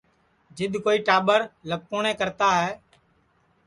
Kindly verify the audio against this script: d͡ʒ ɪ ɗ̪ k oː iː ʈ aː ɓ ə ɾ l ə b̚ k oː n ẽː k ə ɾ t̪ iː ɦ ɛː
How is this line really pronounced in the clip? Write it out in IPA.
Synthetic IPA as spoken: d͡ʒ ɪ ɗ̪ k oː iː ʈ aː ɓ ə ɾ l ə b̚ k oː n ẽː k ə ɾ t̪ aː ɦ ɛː